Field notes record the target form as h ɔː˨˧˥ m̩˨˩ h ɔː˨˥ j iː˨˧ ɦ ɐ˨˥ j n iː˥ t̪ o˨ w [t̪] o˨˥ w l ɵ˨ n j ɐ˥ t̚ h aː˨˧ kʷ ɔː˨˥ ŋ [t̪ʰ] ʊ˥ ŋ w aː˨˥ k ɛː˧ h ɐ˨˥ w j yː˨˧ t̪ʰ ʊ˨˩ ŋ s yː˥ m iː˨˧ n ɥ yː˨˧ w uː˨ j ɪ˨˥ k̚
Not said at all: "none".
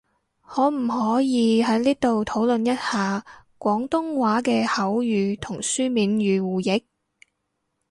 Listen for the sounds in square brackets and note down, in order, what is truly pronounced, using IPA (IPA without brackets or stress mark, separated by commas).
t̪ʰ, t̪